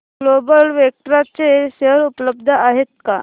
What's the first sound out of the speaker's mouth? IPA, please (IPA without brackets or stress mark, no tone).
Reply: l